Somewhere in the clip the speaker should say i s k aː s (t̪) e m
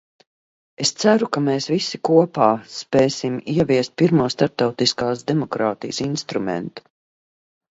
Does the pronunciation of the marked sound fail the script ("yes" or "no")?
yes